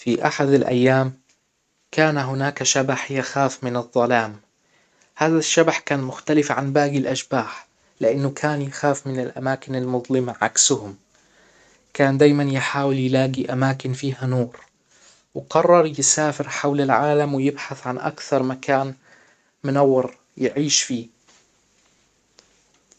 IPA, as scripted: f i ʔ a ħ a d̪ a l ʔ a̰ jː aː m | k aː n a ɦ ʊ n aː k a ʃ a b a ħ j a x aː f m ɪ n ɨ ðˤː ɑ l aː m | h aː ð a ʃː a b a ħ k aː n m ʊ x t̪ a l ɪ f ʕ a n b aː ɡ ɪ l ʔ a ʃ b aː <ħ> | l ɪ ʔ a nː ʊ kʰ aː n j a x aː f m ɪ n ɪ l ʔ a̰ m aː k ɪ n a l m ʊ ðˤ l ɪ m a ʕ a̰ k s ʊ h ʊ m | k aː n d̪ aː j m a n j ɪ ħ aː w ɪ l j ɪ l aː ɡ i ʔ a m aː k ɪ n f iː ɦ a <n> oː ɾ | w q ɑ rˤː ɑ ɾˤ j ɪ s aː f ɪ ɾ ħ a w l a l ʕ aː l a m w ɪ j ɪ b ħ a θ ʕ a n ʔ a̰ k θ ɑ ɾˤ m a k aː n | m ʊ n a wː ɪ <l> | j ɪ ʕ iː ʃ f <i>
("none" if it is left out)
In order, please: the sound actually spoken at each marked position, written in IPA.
ħ, n, ɾ, iː

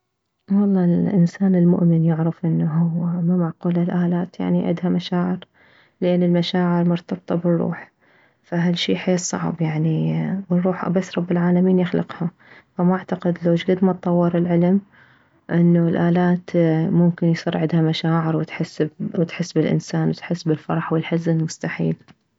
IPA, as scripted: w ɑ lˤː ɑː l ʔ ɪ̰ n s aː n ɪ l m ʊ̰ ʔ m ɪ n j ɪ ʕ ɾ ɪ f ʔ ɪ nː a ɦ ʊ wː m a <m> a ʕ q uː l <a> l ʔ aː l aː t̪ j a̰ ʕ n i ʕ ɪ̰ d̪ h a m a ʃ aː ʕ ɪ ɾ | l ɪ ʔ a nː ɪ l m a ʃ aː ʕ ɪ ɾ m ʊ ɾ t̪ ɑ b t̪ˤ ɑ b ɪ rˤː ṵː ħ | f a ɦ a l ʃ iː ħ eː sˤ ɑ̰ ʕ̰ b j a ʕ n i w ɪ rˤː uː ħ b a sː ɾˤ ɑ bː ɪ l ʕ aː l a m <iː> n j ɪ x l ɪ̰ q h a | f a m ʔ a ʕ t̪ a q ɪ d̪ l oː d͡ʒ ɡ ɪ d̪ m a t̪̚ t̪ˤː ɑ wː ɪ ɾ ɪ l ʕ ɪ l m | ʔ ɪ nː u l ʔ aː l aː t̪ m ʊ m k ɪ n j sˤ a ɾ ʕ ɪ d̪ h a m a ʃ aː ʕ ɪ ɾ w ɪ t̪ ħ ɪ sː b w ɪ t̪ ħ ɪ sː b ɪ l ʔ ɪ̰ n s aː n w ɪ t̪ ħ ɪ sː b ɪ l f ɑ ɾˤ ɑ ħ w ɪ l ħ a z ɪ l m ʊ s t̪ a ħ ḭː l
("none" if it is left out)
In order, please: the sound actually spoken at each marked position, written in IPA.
m, a, iː

